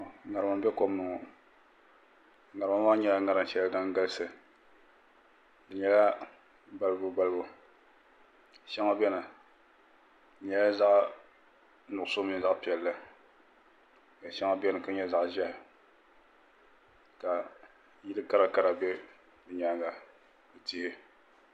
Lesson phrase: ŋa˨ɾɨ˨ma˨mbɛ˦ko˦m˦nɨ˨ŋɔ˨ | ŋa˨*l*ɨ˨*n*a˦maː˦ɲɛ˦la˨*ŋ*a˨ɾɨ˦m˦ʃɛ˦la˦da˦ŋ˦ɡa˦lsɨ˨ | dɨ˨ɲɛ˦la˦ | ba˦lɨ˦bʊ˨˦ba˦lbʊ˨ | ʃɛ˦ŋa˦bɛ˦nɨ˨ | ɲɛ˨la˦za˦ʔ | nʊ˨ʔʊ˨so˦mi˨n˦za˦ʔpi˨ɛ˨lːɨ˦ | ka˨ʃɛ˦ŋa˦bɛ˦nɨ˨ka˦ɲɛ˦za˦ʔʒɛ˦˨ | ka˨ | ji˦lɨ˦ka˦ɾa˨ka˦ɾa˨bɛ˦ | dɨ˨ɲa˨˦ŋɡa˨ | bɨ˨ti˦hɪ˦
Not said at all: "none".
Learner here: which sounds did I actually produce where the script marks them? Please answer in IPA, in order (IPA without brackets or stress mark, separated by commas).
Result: ɾ, m, ŋ